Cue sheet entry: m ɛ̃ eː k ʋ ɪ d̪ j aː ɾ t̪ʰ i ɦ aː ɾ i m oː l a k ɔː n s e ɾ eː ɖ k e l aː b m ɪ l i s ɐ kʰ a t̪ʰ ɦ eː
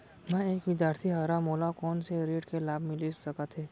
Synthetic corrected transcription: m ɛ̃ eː k ʋ ɪ d̪ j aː ɾ t̪ʰ i ɦ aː ɾ a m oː l a k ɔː n s e ɾ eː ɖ k e l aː b m ɪ l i s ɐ k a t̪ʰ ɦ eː